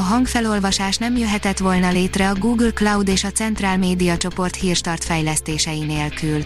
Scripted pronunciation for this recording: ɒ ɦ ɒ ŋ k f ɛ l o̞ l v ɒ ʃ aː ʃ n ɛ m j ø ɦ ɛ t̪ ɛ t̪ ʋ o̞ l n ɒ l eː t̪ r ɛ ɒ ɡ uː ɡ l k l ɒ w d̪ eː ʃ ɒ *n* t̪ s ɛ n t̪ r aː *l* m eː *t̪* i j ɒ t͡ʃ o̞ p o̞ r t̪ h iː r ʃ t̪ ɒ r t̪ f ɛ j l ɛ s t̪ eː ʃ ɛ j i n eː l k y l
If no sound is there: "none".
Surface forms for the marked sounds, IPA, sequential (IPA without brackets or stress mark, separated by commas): none, l, d̪